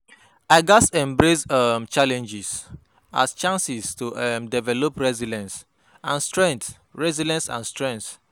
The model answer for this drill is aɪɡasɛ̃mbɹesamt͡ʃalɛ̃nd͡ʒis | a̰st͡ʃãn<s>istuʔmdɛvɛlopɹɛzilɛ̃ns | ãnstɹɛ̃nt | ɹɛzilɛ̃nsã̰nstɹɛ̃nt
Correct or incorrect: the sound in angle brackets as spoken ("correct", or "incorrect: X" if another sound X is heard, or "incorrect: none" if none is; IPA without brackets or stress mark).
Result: correct